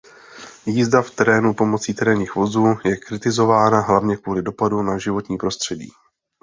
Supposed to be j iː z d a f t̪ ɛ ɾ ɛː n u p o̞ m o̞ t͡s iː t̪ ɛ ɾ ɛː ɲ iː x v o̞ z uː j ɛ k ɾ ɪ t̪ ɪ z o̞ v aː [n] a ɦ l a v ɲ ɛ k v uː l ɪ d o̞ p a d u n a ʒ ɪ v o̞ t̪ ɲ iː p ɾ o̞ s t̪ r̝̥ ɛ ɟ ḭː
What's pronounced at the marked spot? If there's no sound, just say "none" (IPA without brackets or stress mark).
n